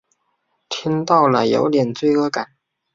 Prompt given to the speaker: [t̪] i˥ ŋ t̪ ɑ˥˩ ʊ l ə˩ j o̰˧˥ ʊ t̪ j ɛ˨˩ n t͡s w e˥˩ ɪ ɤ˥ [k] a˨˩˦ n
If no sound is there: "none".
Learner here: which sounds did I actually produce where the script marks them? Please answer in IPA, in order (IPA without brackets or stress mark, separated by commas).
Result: t̪ʰ, k